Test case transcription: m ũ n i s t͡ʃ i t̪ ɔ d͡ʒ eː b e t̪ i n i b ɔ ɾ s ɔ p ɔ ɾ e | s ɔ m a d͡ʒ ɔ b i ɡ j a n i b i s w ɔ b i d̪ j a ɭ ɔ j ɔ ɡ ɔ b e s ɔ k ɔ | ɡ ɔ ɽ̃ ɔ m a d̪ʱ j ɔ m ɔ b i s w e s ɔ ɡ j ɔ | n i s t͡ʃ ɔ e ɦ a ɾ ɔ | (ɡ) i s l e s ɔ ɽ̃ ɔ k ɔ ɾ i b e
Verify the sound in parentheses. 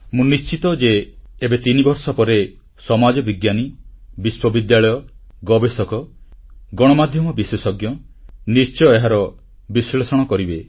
incorrect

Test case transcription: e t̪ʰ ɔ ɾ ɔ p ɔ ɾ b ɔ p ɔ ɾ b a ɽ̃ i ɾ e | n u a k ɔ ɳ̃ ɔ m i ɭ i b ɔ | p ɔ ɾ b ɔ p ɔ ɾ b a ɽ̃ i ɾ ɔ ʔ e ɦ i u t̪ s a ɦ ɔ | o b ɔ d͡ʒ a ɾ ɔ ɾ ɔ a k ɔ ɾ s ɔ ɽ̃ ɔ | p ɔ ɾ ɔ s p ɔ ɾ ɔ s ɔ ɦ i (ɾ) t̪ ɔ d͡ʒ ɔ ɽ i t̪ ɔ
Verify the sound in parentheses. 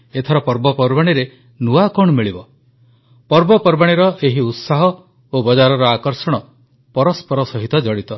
incorrect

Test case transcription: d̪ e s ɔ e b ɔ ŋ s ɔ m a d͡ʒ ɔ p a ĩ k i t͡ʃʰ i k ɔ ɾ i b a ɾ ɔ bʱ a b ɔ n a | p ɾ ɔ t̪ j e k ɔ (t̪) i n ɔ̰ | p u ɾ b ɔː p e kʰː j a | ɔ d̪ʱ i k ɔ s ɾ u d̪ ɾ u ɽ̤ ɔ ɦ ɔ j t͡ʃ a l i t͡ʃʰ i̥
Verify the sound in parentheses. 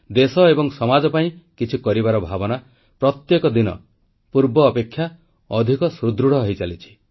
incorrect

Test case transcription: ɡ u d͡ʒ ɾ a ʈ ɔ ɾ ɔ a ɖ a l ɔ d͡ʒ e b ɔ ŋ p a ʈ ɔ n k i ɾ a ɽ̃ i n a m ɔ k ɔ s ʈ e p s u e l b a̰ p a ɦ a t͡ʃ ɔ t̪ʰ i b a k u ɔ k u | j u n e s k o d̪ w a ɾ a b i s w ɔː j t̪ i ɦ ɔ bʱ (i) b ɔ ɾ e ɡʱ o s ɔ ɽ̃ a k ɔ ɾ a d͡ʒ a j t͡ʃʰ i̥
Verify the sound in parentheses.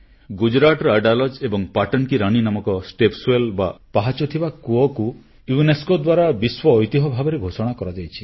incorrect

